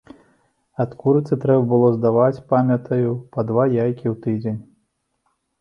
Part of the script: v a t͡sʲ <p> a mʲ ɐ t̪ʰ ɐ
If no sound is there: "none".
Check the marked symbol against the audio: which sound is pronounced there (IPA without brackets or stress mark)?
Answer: p